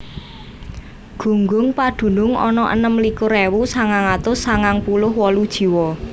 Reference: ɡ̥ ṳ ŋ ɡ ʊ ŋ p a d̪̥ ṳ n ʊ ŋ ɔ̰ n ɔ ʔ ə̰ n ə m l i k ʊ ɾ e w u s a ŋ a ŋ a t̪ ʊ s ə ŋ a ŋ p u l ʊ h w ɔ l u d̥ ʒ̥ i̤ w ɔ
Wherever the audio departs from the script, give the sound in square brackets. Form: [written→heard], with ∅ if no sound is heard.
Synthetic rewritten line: ɡ̥ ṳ ŋ ɡ ʊ ŋ p a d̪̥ ṳ n ʊ ŋ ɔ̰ n ɔ ʔ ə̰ n ə m l i k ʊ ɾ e w u s a ŋ a ŋ a t̪ ʊ s [ə→a] ŋ a ŋ p u l ʊ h w ɔ l u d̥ ʒ̥ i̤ w ɔ